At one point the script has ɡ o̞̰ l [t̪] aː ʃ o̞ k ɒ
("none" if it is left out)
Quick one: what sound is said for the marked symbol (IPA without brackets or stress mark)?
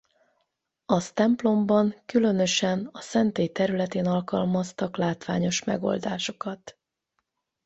d̪